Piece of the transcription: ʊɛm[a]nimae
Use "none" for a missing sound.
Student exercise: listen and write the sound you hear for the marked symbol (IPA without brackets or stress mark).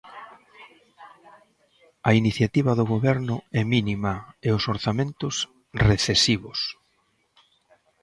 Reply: i